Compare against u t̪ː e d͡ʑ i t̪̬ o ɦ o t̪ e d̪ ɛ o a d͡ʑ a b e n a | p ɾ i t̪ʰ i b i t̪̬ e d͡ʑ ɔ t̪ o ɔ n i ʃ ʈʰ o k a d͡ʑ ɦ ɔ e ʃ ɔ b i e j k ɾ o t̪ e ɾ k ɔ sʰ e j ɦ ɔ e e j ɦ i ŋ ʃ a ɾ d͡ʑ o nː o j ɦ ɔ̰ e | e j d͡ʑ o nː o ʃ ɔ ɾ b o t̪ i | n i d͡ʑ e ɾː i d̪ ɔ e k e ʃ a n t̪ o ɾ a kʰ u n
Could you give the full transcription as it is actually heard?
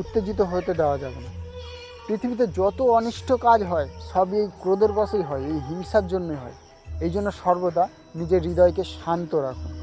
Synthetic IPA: u t̪ː e d͡ʑ i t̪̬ o ɦ o t̪ e d̪ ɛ o a d͡ʑ a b e n a | p ɾ i t̪ʰ i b i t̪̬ e d͡ʑ ɔ t̪ o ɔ n i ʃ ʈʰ o k a d͡ʑ ɦ ɔ e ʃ ɔ b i e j k ɾ o d̪ e ɾ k ɔ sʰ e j ɦ ɔ e e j ɦ i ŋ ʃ a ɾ d͡ʑ o nː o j ɦ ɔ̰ e | e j d͡ʑ o nː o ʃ ɔ ɾ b o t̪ a | n i d͡ʑ e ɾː i d̪ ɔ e k e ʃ a n t̪ o ɾ a kʰ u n